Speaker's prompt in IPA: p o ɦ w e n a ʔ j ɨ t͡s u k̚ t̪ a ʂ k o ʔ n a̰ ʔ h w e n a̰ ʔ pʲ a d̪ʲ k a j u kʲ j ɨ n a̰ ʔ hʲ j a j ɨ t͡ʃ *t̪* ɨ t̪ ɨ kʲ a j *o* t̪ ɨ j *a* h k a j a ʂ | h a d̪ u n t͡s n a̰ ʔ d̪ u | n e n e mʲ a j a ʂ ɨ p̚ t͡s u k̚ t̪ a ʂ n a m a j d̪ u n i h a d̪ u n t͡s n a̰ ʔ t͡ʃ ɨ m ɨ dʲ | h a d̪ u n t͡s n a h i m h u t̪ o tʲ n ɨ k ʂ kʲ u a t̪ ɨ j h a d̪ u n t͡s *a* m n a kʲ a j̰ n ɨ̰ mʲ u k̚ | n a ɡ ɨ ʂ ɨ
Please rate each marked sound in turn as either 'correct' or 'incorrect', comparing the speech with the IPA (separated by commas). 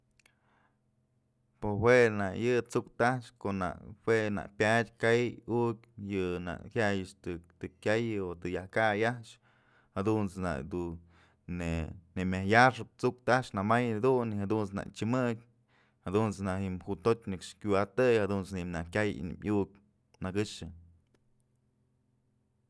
correct, correct, correct, incorrect